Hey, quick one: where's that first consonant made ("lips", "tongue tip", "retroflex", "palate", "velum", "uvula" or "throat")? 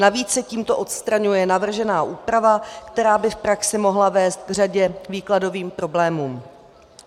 tongue tip